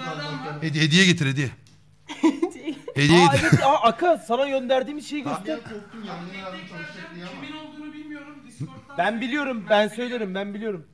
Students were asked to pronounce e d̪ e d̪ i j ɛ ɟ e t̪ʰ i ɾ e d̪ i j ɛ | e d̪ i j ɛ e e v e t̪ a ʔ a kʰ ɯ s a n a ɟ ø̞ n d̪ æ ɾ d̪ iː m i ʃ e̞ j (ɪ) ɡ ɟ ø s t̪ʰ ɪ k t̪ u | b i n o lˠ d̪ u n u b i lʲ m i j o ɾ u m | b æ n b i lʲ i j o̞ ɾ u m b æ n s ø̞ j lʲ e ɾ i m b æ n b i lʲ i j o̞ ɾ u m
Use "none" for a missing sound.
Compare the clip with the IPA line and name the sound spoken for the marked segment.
i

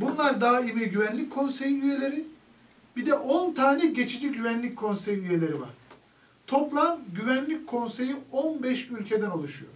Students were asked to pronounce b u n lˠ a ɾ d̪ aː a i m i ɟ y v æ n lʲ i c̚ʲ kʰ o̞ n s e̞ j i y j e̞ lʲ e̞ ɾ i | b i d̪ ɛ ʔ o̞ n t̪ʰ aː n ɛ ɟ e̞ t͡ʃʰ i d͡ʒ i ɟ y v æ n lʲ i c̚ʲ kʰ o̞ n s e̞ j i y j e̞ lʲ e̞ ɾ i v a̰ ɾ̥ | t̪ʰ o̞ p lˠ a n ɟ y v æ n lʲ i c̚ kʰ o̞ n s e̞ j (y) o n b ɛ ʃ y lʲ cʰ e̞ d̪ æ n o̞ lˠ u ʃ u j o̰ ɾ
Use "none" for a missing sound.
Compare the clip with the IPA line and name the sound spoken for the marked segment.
i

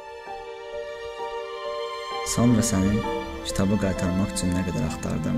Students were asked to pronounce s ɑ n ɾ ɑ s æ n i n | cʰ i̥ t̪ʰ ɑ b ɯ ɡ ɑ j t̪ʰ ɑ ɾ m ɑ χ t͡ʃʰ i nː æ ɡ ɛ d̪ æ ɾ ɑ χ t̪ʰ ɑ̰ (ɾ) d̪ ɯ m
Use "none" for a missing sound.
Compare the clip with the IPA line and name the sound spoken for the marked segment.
ɾ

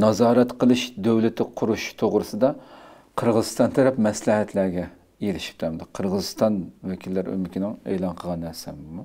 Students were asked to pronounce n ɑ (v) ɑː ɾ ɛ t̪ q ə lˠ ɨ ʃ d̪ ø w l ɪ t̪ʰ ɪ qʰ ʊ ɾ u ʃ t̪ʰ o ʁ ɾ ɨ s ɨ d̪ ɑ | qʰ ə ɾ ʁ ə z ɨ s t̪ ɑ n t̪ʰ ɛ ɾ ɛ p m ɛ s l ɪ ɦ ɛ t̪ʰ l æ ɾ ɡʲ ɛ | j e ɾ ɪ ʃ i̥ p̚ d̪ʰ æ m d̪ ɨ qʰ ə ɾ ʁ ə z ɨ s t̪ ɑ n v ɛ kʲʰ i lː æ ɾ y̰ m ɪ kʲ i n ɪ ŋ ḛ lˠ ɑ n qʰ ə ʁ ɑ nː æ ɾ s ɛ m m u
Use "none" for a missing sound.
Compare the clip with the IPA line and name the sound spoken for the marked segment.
z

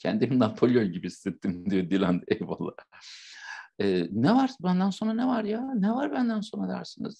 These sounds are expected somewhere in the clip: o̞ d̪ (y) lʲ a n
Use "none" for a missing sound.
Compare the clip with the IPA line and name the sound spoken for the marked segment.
i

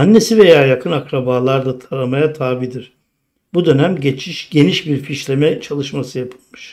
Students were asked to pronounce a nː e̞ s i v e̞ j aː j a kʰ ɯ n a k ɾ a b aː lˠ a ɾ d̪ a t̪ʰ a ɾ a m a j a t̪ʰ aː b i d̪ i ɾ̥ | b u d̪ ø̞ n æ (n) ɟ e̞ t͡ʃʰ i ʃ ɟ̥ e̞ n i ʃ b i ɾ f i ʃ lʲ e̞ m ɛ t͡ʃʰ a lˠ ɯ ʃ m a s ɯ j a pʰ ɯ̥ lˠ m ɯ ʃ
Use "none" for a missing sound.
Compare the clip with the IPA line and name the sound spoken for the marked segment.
m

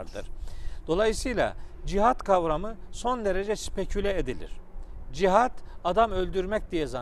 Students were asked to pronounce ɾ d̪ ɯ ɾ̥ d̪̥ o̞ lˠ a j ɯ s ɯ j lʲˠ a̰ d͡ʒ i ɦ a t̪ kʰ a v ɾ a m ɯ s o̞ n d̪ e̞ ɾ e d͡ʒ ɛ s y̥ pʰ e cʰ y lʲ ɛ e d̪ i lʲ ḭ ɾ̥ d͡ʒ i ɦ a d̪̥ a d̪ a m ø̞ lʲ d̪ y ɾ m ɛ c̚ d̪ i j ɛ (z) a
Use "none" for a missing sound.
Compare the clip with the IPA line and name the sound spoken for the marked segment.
z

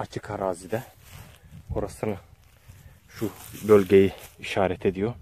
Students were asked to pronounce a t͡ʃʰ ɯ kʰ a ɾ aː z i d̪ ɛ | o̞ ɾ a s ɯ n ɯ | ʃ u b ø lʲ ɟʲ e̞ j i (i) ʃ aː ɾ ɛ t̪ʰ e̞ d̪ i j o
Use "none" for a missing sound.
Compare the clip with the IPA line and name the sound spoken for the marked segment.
i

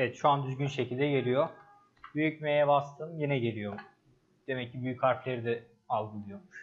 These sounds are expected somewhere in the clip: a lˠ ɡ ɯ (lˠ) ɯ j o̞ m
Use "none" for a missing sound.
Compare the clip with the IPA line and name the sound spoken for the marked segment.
lˠ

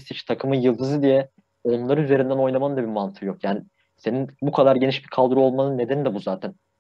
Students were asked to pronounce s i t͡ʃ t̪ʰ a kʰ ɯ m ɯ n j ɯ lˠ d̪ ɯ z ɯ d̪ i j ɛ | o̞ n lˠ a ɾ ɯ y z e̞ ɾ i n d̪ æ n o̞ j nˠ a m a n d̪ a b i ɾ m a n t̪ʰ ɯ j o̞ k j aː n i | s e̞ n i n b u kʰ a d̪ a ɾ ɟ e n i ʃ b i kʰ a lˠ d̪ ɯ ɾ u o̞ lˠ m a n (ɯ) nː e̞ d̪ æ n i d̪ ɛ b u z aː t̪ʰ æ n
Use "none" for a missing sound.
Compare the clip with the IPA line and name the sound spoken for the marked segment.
ɯ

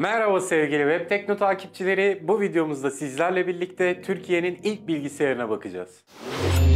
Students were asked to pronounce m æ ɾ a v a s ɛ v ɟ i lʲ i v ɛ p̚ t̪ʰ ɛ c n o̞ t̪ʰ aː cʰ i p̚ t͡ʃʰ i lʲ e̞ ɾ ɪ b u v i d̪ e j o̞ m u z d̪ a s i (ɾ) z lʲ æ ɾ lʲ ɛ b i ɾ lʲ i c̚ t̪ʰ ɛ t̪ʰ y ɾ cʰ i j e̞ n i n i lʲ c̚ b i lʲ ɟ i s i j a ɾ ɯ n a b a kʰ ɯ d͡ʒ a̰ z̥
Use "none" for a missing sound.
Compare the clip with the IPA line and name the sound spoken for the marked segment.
none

